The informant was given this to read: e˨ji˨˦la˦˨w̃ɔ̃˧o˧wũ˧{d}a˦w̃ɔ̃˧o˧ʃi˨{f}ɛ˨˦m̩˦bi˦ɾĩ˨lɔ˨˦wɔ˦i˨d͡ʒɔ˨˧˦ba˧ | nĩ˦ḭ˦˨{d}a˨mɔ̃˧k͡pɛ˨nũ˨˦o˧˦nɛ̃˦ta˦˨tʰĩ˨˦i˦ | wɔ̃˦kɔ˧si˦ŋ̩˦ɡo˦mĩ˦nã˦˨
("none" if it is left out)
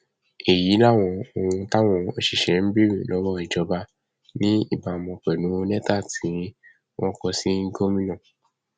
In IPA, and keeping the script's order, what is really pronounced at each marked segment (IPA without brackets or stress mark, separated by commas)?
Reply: t, ʃ, b